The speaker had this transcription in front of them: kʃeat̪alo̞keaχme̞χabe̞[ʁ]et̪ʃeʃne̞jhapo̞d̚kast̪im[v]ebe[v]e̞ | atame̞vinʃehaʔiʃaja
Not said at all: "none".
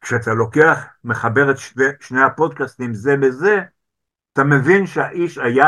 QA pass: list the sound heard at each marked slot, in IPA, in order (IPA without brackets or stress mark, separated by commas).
ʁ, z, z